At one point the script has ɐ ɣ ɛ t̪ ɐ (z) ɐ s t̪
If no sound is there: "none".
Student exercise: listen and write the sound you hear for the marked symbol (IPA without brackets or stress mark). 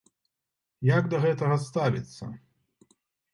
ɣ